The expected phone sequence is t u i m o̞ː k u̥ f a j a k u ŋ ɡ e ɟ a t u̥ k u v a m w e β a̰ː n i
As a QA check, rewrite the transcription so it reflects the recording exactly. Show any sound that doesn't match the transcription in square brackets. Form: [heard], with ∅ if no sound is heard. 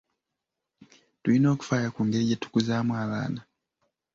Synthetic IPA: t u i [n] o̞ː k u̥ f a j a k u ŋ ɡ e ɟ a t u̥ k u [z] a m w [a] β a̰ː n [a]